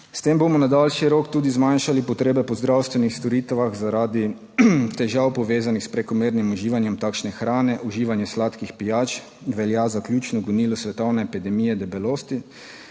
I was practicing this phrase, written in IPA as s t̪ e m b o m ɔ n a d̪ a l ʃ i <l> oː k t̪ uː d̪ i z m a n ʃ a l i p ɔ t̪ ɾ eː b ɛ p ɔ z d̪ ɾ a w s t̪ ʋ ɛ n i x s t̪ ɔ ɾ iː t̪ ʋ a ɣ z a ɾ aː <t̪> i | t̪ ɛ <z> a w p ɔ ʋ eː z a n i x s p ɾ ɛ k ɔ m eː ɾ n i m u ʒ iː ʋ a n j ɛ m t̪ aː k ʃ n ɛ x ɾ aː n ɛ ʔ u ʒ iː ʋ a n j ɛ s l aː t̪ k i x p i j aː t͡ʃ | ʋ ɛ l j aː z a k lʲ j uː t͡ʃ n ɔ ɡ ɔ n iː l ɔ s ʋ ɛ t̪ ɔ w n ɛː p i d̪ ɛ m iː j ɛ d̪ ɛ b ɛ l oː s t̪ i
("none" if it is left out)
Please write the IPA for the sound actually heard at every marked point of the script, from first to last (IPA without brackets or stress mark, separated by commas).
ɾ, d̪, ʒ